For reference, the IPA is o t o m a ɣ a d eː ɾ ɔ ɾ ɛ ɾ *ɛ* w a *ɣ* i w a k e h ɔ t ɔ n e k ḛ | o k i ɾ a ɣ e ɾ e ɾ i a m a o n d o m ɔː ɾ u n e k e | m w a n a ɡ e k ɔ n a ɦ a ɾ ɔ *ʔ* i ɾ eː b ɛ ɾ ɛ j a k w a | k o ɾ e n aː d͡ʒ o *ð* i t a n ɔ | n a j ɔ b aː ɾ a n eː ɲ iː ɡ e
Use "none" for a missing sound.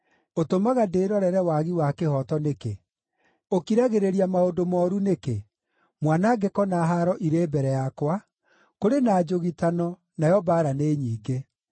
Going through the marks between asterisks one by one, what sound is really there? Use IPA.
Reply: ɛ, ɣ, ʔ, ɣ

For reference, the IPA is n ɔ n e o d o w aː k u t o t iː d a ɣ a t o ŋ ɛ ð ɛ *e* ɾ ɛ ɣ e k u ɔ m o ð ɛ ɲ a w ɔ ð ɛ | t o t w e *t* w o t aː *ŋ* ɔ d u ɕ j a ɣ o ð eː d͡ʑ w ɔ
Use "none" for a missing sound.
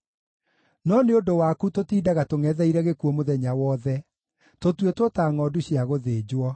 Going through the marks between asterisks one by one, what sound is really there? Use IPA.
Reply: i, t, ŋ

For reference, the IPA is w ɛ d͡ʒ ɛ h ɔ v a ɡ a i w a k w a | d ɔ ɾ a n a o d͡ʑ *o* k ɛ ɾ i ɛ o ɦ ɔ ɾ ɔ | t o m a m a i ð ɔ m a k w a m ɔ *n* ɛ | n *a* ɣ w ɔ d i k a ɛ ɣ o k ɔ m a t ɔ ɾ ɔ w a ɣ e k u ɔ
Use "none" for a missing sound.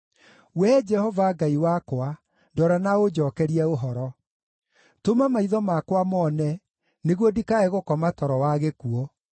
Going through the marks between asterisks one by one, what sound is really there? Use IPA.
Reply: ɔ, n, e

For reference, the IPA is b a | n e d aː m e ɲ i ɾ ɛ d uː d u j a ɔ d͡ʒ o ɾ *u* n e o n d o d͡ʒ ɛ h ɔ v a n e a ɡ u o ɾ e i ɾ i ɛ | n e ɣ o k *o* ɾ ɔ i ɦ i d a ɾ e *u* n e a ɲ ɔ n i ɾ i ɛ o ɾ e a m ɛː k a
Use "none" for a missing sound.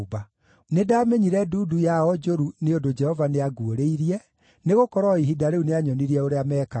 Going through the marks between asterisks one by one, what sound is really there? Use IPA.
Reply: u, ɔ, u

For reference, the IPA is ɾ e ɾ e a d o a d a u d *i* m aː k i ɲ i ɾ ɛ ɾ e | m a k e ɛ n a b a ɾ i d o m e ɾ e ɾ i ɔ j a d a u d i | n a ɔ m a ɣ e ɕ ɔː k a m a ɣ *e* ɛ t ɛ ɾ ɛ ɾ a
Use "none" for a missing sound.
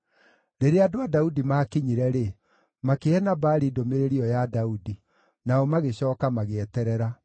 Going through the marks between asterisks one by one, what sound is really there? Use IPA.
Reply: i, e

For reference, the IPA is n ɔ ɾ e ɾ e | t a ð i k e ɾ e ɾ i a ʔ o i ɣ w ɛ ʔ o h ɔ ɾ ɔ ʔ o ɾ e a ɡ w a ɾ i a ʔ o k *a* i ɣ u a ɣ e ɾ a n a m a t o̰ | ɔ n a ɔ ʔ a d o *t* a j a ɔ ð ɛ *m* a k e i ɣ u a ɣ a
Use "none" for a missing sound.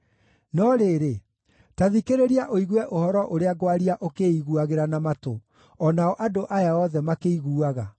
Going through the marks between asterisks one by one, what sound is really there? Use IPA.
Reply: e, ʔ, m

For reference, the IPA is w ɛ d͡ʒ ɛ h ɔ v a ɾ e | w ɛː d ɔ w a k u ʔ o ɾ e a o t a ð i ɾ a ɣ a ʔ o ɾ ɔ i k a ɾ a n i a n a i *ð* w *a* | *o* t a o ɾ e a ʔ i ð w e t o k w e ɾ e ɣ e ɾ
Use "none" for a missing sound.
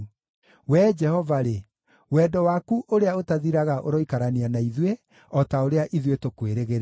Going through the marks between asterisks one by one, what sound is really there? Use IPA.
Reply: ð, e, ɔ

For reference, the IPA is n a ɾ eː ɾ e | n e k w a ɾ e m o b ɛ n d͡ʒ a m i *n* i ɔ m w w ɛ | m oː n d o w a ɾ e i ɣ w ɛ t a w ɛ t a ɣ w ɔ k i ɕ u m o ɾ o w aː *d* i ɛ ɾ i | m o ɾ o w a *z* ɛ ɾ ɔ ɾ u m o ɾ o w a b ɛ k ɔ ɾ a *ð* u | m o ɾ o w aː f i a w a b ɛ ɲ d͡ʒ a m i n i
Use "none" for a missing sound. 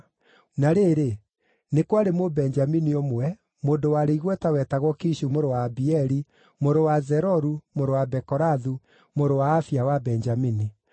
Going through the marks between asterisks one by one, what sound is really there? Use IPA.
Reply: n, b, z, ð

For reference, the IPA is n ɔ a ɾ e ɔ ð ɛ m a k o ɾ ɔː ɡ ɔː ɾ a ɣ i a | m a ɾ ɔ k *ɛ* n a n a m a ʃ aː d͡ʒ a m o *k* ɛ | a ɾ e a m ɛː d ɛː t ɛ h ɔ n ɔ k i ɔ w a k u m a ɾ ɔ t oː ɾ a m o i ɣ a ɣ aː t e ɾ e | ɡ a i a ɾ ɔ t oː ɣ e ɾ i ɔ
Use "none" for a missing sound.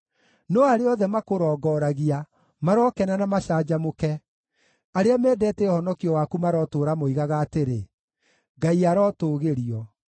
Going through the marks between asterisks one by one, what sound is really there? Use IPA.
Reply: ɛ, k

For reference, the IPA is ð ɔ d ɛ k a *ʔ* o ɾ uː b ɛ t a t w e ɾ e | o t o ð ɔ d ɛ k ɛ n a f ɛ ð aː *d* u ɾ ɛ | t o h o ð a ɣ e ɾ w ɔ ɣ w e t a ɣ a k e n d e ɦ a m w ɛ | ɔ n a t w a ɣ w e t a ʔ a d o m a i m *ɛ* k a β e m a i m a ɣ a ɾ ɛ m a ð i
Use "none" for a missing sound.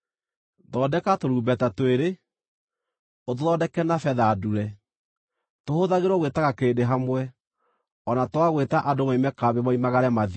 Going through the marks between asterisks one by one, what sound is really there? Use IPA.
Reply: t, d, ɛ

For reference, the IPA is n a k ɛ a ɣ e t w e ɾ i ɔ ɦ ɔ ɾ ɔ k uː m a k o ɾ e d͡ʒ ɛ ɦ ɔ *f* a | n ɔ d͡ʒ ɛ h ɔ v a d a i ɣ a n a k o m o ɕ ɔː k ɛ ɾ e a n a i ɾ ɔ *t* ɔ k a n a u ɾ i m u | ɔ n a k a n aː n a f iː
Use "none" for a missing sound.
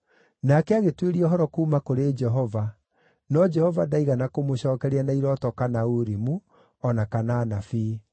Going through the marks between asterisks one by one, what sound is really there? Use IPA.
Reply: v, t

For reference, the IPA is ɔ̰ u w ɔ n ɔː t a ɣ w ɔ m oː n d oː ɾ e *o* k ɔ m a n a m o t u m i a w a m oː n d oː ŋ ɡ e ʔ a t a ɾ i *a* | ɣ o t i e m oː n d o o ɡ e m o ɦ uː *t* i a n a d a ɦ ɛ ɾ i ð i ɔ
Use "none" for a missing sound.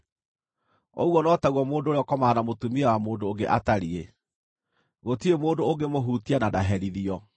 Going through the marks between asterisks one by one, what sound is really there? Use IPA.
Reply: ɔ, e, t

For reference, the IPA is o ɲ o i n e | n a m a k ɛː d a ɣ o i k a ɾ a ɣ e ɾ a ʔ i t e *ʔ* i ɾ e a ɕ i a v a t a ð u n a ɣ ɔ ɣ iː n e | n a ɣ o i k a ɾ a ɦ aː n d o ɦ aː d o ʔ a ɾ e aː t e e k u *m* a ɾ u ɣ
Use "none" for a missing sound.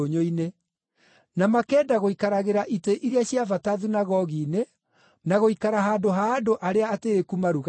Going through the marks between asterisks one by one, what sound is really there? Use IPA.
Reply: ʔ, m

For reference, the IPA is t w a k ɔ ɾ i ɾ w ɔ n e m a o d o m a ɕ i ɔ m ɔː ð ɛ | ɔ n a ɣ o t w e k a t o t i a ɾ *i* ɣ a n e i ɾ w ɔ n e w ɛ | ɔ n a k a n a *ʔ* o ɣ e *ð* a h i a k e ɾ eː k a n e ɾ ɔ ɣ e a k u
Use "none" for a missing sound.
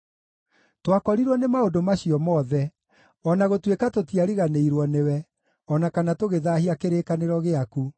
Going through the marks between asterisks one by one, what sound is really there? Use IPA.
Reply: i, t, ð

